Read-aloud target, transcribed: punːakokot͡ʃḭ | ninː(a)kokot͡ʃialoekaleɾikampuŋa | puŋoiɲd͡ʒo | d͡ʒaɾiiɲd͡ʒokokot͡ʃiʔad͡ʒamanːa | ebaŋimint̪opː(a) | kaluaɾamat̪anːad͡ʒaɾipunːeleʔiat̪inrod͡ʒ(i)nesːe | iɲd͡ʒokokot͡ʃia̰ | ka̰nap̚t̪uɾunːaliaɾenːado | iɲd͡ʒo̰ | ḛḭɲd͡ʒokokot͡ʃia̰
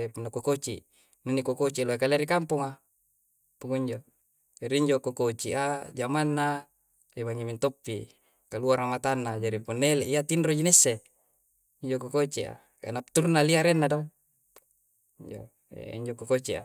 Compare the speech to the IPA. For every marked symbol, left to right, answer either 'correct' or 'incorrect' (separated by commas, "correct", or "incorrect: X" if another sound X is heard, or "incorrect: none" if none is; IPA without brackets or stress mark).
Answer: incorrect: i, incorrect: i, correct